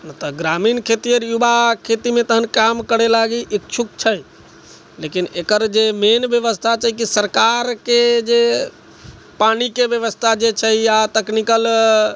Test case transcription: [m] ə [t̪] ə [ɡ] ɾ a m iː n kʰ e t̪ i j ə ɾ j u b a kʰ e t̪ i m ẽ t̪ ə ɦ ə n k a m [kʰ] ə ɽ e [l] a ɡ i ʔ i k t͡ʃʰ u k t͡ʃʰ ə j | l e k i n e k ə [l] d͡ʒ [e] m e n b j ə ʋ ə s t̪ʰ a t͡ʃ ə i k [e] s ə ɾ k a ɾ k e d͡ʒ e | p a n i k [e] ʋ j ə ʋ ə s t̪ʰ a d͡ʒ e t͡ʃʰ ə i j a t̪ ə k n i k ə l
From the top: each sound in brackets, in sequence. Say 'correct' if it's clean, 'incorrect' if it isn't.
incorrect: n, correct, correct, incorrect: k, correct, incorrect: ɾ, correct, incorrect: i, correct

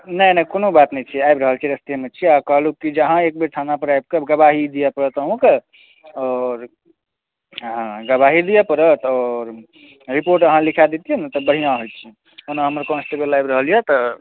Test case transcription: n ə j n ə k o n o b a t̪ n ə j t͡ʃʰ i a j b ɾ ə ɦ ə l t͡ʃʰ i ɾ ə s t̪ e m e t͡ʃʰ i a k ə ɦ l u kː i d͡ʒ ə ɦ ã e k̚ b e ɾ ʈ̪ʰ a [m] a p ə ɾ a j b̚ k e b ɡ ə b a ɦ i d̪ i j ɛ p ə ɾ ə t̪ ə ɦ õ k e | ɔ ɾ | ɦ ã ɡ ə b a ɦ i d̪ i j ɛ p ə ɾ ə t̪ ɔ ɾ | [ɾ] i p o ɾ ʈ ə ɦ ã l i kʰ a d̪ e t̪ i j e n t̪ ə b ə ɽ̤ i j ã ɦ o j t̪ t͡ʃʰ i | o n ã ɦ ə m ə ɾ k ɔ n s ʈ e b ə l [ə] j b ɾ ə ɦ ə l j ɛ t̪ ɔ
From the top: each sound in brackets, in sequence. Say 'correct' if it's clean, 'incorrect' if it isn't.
incorrect: n, correct, incorrect: a

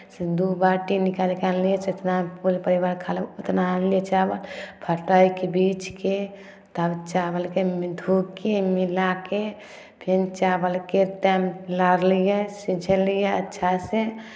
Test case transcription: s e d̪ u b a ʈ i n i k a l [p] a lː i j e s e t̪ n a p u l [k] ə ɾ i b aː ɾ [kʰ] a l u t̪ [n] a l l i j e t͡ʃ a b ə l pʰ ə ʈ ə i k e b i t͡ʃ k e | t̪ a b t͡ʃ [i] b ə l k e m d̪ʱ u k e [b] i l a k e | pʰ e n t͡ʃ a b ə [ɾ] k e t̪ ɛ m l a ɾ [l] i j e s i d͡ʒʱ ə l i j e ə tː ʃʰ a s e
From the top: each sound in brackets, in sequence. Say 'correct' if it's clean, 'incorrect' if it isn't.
incorrect: k, incorrect: p, correct, correct, incorrect: a, incorrect: m, incorrect: l, correct

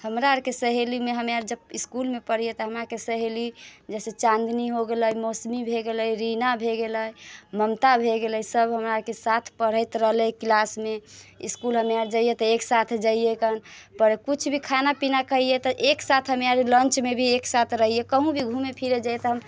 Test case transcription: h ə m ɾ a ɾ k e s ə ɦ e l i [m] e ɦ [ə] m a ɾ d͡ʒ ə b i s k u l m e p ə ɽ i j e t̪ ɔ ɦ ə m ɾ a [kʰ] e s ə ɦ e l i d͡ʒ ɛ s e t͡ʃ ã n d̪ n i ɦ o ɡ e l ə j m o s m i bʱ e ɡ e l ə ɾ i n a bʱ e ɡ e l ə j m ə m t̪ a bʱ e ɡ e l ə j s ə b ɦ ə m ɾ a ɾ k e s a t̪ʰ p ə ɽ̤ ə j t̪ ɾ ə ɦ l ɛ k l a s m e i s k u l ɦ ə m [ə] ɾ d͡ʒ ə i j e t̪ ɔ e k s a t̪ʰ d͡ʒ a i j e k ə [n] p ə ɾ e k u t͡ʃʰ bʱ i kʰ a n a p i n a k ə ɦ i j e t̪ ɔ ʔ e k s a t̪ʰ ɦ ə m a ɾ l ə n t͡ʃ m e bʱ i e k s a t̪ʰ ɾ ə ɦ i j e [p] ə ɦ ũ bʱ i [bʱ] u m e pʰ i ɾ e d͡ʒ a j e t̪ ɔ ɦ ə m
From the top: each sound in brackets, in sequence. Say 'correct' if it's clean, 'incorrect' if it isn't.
correct, correct, incorrect: k, incorrect: a, correct, incorrect: k, incorrect: ɡʱ

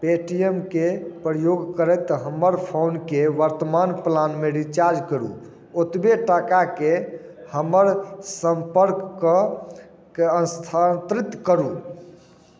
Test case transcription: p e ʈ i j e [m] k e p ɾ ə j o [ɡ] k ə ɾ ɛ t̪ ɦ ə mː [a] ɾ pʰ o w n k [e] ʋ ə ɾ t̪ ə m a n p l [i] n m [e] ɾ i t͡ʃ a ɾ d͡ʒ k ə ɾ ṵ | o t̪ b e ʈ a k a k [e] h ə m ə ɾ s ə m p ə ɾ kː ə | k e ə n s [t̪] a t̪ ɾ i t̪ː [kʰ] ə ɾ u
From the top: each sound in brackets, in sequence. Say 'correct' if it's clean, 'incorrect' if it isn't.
correct, correct, incorrect: ə, correct, incorrect: a, correct, correct, incorrect: t̪ʰ, incorrect: k

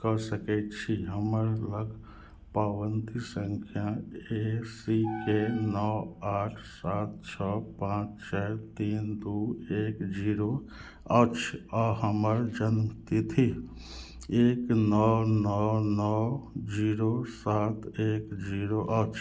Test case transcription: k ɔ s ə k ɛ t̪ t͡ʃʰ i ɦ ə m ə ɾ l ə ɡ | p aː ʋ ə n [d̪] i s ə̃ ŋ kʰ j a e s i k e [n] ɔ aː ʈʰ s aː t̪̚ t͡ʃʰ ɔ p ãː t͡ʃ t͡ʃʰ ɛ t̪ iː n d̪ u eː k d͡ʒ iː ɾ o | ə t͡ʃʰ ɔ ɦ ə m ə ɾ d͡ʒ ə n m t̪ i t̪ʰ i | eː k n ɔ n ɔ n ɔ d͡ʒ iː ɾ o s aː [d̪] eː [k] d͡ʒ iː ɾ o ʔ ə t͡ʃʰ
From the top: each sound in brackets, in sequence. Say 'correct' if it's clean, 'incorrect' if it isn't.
incorrect: t̪, correct, incorrect: t̪, correct

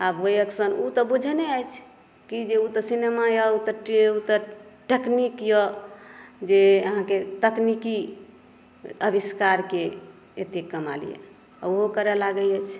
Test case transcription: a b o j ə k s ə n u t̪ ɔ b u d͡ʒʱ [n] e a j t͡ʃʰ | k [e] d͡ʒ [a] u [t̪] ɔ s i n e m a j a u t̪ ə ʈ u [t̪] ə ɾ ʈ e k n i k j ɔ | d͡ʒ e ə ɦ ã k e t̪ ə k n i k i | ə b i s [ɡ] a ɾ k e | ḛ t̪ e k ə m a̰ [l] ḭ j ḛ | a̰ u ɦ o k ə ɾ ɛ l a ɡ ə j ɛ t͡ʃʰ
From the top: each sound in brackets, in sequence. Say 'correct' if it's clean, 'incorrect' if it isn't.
correct, incorrect: i, incorrect: e, correct, correct, incorrect: k, correct

